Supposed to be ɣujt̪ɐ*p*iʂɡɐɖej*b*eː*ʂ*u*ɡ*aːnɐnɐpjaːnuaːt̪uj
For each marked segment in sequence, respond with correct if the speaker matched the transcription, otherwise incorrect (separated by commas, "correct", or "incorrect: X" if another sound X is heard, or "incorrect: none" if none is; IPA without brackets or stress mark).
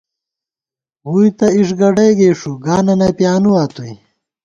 incorrect: none, incorrect: ɡ, correct, correct